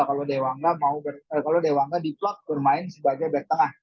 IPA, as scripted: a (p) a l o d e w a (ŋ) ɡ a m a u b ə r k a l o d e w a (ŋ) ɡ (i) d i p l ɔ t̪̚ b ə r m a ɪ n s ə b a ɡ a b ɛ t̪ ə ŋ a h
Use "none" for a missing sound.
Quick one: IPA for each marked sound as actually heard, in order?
k, ŋ, ŋ, a

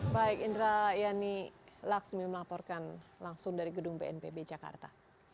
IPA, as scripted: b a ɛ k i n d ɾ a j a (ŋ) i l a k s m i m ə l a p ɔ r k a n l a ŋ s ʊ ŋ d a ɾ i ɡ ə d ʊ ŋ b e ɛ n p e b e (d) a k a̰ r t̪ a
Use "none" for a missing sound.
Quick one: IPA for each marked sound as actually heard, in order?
n, d͡ʒ

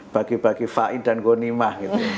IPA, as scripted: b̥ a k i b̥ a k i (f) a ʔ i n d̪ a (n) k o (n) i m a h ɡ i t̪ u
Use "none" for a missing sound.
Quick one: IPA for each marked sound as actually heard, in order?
f, n, n

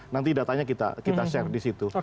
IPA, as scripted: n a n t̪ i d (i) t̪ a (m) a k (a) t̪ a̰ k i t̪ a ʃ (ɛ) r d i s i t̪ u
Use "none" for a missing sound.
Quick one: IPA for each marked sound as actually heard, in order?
a, ɲ, i, ɛ

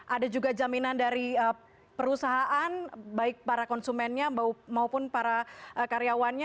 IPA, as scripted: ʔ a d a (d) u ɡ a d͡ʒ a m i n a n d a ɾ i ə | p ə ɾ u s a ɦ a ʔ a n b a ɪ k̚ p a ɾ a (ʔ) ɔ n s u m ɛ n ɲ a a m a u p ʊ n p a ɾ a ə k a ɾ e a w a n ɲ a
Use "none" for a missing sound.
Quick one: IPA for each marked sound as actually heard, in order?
d͡ʒ, k

